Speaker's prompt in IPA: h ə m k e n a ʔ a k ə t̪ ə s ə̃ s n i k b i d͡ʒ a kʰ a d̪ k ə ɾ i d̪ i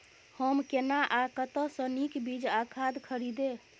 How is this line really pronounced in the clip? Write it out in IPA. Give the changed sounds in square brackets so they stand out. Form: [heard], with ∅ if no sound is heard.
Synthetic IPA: h ə m k e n a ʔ a k ə t̪ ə s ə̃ [∅] n i k b i d͡ʒ a kʰ a d̪ [kʰ] ə ɾ i d̪ [e]

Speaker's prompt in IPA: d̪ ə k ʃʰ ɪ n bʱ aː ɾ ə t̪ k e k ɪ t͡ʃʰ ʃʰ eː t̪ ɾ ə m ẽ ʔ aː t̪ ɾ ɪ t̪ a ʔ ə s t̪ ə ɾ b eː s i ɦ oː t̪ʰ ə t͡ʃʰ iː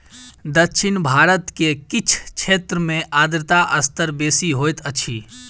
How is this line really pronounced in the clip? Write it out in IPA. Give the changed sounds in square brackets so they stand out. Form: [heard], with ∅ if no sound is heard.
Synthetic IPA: d̪ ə k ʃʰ ɪ n bʱ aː ɾ ə t̪ k e k ɪ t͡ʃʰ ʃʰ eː t̪ ɾ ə m ẽ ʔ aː [d̪] ɾ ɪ t̪ a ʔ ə s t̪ ə ɾ b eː s i ɦ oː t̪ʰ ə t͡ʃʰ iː

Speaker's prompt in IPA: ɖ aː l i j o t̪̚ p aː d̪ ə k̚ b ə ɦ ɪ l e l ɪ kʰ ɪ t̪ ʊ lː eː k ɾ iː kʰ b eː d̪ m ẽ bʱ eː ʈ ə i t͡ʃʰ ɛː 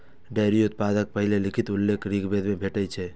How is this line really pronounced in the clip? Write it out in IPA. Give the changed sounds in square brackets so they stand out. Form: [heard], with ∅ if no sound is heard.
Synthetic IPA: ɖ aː [ɾ] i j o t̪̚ p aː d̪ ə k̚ [p] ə ɦ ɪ l e l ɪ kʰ ɪ t̪ ʊ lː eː k ɾ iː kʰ b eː d̪ m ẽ bʱ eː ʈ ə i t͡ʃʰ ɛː

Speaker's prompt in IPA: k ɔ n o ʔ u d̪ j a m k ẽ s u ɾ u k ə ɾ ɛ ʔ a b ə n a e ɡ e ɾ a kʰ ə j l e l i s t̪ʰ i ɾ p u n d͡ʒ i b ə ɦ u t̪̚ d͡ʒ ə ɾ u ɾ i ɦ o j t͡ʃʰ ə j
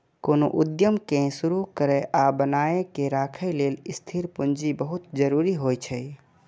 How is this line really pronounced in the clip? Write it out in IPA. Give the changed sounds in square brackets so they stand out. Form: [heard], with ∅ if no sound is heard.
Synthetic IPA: k [o] n o ʔ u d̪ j [ə] m k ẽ s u ɾ u k ə ɾ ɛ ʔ a b ə n a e [k] e ɾ a kʰ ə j l e l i s t̪ʰ i ɾ p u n d͡ʒ i b ə ɦ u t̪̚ d͡ʒ ə ɾ u ɾ i ɦ o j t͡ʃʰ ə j

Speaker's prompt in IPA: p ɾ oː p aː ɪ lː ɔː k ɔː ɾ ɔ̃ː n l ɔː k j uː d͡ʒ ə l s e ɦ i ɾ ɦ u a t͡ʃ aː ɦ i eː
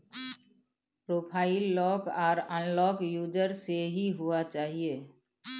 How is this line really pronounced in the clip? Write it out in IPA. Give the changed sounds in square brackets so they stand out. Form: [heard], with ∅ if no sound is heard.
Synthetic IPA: p ɾ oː [pʰ] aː ɪ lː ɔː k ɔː ɾ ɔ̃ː n l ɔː k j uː d͡ʒ ə [ɾ] s e ɦ i [∅] ɦ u a t͡ʃ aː ɦ i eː

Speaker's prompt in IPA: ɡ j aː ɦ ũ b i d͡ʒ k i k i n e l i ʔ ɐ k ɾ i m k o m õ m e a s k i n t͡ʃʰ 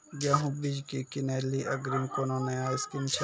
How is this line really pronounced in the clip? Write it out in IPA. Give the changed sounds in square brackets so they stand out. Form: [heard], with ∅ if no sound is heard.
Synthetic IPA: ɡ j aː ɦ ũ b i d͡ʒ k i k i n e l i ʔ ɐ [ɡ] ɾ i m k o [n] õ [n] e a s k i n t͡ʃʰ

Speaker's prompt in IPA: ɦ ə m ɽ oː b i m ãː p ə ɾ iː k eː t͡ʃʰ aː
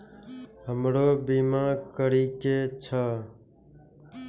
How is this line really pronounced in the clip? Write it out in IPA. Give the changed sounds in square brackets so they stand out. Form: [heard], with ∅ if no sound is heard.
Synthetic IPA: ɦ ə m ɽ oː b [iː] m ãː [k] ə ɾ iː k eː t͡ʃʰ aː

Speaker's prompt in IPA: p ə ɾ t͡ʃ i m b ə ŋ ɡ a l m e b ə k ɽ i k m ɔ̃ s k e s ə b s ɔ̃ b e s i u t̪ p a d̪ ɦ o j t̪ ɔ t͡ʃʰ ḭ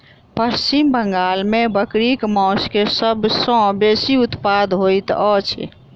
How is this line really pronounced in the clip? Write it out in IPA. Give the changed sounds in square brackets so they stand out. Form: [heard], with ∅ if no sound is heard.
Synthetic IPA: p ə ɾ t͡ʃ i m b ə ŋ ɡ a l m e b ə k [ɾ] i k m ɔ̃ s k e s ə b s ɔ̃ b e s i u t̪ p a d̪ ɦ o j t̪ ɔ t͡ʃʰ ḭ

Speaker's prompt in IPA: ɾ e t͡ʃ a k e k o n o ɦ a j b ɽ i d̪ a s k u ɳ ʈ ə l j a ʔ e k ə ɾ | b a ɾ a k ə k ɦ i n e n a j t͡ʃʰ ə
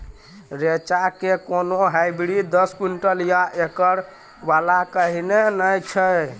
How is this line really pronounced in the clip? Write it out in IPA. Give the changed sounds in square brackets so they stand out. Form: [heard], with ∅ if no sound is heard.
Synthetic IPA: ɾ e t͡ʃ a k e k o n o ɦ a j b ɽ i d̪ [ə] s k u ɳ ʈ ə l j a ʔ e k ə ɾ | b a [l] a k ə [∅] ɦ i n e n [ə] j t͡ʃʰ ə

